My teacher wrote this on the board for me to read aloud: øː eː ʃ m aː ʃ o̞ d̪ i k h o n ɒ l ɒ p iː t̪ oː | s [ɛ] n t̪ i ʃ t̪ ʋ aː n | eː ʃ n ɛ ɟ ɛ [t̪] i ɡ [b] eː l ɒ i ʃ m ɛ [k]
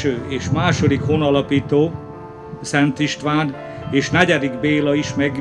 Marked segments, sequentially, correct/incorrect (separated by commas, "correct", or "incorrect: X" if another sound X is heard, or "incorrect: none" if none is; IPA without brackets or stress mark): correct, incorrect: d̪, correct, incorrect: ɡ